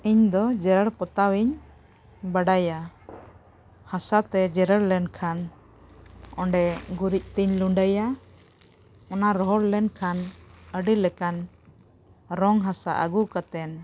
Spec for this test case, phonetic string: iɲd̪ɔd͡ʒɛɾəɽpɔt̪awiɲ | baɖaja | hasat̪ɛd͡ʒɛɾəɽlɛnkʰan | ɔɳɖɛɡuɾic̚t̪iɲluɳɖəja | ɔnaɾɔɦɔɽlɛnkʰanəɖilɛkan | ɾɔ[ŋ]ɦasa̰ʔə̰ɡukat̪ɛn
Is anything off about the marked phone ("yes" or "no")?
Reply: no